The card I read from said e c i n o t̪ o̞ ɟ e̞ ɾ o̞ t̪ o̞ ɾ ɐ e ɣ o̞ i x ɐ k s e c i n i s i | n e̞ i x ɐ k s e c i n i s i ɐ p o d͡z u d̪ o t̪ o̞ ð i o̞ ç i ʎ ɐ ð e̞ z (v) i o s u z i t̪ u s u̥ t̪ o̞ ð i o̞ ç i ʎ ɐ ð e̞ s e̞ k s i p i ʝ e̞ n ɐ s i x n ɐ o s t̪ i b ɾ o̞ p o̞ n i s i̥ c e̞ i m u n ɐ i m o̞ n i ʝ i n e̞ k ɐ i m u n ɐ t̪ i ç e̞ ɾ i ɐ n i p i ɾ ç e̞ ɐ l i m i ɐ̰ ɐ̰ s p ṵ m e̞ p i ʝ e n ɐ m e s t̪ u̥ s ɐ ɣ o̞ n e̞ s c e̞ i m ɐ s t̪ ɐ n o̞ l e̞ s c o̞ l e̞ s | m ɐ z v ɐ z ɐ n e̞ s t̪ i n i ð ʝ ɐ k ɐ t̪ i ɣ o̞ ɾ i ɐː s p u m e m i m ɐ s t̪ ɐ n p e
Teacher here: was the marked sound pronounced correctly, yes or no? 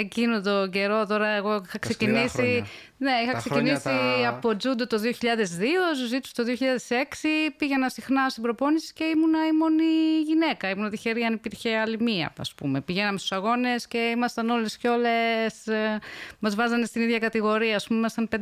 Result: no